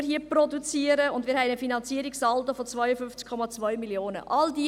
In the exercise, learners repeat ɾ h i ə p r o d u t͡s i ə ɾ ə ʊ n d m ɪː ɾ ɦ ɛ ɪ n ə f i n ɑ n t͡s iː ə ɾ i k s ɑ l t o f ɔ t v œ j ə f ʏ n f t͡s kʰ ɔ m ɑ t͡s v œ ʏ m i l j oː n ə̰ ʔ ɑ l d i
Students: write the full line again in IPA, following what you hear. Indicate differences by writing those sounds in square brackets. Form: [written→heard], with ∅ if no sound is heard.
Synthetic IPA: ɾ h i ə p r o d u t͡s i ə ɾ ə ʊ n d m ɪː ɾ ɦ ɛ ɪ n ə f i n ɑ n t͡s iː ə ɾ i k s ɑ l t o f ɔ [t→t͡s] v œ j ə f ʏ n f t͡s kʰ ɔ m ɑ t͡s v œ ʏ m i l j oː n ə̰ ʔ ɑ l d i

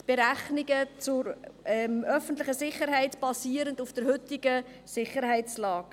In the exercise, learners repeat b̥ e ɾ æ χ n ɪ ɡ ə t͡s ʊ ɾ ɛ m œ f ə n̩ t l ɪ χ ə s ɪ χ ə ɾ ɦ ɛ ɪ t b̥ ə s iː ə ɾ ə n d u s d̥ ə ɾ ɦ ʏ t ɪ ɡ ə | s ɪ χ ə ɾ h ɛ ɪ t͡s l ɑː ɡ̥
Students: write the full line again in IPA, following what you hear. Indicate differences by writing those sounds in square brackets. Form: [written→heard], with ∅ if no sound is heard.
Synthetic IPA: b̥ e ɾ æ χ n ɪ ɡ ə t͡s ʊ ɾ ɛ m œ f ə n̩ t l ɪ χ ə s ɪ χ ə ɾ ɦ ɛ ɪ t b̥ [ə→ɑ] s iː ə ɾ ə n d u [s→f] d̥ ə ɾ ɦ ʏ t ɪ ɡ ə | s ɪ χ ə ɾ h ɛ ɪ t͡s l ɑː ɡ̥

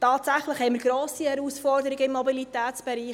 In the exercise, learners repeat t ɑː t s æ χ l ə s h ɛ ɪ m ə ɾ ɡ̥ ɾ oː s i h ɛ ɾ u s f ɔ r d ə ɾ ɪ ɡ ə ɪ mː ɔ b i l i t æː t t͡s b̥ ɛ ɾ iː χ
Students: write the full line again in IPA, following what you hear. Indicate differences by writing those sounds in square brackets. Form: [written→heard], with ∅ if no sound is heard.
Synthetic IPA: t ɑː t s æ χ l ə [s→χ] h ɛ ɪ m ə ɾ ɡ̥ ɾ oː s i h ɛ ɾ u s f ɔ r d ə ɾ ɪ ɡ ə ɪ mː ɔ b i l i t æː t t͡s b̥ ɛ ɾ iː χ

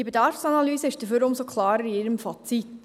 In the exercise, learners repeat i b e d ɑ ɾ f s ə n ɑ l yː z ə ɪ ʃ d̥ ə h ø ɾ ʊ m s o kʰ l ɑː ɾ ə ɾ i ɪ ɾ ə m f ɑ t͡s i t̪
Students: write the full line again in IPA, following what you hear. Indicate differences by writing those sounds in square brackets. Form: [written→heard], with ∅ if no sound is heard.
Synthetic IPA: i b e d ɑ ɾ f s [ə→ɑ] n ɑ l yː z ə ɪ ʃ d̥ ə [h→f] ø ɾ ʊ m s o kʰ l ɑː ɾ ə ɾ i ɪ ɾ ə m f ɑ t͡s i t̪

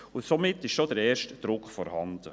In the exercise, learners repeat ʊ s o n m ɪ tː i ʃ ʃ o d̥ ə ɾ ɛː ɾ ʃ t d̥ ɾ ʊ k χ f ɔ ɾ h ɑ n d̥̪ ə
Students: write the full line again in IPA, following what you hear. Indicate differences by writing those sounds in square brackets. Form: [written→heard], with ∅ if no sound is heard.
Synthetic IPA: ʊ s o [n→∅] m ɪ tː [i→ɪ] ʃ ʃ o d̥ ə ɾ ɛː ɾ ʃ t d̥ ɾ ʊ k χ f ɔ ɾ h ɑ n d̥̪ ə

